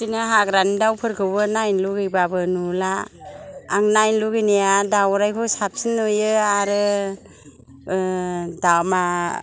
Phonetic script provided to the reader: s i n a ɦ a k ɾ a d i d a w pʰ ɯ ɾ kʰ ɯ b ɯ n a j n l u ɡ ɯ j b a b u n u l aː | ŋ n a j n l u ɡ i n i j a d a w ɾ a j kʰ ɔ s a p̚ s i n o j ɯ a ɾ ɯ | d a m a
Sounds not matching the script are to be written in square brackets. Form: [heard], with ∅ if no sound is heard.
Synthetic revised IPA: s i n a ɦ a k ɾ a [n] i d a w pʰ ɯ ɾ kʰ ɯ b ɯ n a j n l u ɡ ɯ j b a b [ɯ] n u l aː | ŋ n a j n l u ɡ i n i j a d a w ɾ a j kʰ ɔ s a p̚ s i n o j ɯ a ɾ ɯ | d a m a